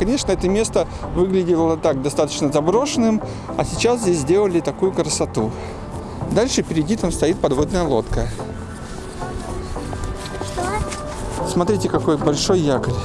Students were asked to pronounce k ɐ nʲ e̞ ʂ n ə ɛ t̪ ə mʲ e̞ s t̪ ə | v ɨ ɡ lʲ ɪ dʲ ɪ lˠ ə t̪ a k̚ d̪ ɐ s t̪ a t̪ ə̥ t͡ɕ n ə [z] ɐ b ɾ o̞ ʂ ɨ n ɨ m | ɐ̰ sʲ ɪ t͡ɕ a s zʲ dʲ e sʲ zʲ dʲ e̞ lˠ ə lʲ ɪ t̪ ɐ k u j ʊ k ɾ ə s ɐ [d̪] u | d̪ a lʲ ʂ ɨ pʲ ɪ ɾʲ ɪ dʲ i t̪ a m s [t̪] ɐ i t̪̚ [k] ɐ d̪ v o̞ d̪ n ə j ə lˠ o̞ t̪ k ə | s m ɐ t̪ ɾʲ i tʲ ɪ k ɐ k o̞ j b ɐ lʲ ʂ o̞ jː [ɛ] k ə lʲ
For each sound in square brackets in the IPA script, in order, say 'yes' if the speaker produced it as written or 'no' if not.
yes, no, yes, no, no

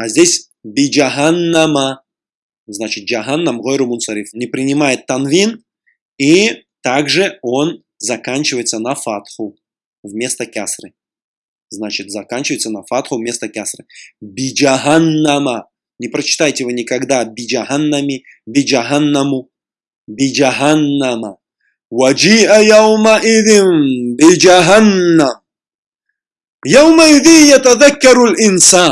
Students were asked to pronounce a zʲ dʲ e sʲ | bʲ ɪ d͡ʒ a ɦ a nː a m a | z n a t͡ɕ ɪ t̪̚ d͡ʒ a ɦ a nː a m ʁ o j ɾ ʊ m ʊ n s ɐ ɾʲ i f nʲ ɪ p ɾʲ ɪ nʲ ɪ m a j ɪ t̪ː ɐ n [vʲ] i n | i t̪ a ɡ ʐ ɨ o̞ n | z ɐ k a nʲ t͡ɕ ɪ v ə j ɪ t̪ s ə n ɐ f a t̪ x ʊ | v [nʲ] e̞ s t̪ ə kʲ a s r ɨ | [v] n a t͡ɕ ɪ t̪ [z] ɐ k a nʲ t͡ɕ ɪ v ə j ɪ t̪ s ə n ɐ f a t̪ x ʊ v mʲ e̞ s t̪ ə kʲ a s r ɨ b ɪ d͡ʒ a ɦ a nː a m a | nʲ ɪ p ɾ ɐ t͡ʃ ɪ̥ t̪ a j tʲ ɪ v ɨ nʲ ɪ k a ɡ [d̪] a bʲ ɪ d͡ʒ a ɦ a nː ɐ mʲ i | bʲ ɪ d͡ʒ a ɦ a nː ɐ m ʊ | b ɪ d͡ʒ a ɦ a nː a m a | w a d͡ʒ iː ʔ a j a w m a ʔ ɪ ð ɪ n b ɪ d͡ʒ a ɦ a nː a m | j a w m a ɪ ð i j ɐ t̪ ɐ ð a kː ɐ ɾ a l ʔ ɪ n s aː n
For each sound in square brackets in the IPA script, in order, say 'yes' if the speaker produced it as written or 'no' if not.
yes, no, no, yes, yes

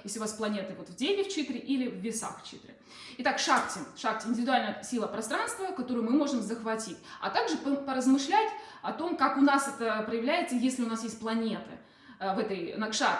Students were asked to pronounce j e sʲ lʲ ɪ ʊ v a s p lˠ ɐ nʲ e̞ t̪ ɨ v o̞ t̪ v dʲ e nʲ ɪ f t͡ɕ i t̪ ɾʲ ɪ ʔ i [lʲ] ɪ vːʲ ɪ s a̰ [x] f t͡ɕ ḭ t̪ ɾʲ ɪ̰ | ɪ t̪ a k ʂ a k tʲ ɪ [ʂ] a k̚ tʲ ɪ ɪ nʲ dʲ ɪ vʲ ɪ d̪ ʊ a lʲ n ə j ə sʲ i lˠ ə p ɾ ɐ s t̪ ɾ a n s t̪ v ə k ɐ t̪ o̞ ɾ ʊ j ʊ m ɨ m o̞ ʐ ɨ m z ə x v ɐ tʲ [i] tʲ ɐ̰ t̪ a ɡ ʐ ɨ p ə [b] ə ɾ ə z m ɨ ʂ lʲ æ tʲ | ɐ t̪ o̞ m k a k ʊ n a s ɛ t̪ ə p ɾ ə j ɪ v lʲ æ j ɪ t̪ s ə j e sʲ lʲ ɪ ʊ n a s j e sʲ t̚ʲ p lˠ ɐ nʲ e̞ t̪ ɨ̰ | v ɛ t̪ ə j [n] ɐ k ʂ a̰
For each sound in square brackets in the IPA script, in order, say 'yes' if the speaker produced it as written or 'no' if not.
yes, yes, yes, yes, no, yes

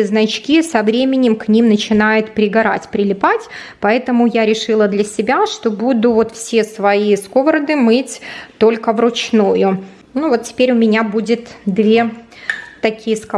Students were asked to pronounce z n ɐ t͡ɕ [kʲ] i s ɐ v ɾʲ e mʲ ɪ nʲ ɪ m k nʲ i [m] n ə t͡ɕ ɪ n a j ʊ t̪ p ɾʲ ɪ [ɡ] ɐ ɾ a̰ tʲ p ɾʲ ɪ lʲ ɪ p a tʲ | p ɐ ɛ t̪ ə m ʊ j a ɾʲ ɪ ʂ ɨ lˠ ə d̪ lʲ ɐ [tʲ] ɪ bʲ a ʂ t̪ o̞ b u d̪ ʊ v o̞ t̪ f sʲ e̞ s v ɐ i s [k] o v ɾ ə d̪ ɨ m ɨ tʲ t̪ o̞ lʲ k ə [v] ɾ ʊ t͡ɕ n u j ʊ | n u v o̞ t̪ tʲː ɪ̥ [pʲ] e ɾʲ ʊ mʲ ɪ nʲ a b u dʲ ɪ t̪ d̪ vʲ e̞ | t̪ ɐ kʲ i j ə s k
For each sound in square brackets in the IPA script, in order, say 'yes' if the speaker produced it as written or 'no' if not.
yes, yes, yes, no, yes, yes, yes

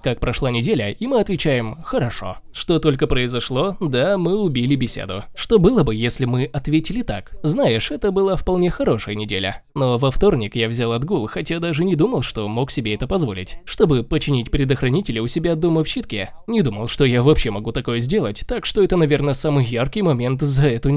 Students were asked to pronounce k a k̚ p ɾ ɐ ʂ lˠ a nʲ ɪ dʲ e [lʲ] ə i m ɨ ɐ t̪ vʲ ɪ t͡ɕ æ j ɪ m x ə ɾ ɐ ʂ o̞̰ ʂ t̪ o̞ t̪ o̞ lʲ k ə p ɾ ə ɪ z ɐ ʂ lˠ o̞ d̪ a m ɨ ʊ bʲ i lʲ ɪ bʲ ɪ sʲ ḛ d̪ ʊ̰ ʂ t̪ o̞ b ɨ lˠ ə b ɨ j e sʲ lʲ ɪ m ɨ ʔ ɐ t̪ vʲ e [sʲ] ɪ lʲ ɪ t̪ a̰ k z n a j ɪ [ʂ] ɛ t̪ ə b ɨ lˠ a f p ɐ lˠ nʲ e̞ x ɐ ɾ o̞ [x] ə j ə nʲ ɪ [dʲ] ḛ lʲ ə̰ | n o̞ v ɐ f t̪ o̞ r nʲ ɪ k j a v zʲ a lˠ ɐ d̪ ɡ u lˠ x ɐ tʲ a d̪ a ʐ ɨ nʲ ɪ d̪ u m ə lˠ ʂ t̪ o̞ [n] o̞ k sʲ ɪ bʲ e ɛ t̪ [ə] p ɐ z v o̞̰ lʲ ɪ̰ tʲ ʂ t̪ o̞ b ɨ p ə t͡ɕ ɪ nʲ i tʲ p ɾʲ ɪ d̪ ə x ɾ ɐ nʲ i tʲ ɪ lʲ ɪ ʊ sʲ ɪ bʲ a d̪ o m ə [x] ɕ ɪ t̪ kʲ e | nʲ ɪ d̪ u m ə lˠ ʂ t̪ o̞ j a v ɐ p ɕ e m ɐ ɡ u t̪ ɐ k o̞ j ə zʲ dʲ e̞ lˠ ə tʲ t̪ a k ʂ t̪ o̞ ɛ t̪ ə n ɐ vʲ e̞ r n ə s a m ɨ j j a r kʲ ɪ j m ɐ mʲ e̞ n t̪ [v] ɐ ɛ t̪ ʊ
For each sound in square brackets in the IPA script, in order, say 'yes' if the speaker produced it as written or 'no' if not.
yes, no, yes, no, yes, no, yes, no, no

